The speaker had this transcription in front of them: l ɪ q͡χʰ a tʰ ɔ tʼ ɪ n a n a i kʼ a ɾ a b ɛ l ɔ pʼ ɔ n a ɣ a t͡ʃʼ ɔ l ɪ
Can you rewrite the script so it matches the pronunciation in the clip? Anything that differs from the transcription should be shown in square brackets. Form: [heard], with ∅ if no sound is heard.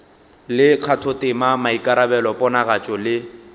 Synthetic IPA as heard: l ɪ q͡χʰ a tʰ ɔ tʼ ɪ [m] a [m] a i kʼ a ɾ a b ɛ l ɔ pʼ ɔ n a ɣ a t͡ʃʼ ɔ l ɪ